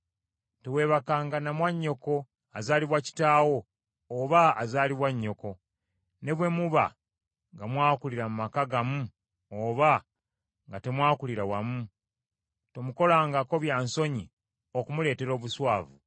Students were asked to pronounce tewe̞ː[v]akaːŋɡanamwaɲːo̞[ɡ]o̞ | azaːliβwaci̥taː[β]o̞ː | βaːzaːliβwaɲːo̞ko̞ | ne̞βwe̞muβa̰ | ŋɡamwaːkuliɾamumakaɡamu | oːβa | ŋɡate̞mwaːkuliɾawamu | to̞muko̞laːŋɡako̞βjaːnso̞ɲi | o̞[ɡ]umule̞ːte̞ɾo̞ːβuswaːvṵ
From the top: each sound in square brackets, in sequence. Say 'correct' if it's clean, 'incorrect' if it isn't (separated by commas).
incorrect, incorrect, incorrect, incorrect